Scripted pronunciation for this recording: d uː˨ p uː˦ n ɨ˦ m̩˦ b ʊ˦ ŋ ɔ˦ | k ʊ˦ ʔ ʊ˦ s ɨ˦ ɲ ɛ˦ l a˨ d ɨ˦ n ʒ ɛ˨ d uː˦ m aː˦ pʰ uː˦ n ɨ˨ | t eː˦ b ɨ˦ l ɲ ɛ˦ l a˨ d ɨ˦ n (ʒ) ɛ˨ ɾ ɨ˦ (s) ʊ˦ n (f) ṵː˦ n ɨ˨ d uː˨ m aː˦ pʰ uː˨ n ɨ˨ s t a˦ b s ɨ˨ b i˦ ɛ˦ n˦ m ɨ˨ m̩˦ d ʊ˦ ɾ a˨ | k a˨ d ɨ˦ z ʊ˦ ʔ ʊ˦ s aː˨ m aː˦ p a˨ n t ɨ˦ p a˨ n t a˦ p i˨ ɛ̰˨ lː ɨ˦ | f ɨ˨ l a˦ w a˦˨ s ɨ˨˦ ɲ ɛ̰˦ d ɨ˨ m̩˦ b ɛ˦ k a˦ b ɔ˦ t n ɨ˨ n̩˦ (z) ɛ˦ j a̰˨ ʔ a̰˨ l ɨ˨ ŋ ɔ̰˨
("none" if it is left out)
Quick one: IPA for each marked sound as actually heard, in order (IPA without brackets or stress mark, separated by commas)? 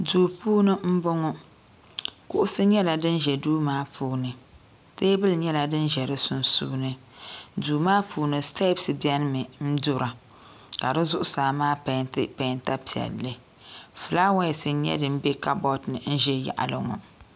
ʒ, s, s, ʒ